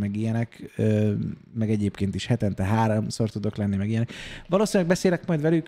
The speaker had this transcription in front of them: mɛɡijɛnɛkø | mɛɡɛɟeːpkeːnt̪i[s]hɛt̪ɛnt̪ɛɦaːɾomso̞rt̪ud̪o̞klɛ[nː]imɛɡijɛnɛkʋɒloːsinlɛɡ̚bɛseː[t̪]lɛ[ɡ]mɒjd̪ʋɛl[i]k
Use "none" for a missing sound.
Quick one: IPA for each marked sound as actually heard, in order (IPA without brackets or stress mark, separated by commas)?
ʃ, nː, none, k, y